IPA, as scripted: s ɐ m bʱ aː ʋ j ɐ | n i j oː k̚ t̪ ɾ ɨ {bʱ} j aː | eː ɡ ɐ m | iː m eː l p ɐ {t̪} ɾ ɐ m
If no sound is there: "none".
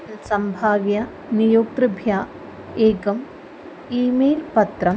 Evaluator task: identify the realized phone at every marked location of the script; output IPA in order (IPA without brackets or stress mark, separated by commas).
bʱ, t̪